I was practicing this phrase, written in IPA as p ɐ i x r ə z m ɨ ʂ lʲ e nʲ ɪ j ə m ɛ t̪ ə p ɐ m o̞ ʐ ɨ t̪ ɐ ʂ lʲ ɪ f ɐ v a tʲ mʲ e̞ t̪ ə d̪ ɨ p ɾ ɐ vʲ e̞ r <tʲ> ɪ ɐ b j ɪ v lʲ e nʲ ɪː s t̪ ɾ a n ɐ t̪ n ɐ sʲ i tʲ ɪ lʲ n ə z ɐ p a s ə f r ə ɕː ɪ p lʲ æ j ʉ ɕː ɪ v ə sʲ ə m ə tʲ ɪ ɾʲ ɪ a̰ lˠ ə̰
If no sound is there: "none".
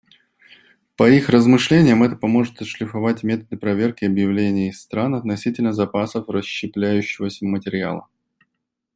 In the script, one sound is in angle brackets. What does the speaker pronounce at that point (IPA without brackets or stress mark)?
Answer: kʲ